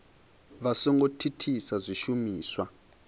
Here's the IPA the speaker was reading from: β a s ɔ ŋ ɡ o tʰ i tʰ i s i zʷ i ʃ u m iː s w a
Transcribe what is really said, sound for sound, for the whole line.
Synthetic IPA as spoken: β a s ɔ ŋ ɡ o tʰ i tʰ i s a zʷ i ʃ u m iː s w a